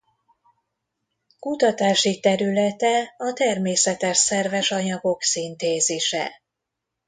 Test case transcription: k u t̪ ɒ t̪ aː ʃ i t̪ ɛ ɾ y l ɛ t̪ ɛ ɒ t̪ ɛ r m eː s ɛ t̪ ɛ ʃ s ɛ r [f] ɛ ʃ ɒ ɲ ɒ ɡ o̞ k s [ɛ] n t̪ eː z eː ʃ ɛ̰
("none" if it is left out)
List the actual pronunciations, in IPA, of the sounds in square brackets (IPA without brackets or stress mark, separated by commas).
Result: v, i